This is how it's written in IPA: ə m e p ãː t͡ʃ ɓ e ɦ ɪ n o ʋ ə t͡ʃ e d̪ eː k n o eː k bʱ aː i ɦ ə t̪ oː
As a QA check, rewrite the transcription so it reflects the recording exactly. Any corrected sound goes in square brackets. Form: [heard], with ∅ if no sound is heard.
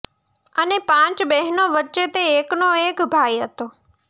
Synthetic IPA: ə [n] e p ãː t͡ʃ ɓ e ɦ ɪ n o ʋ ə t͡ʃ e [t̪] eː k n o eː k bʱ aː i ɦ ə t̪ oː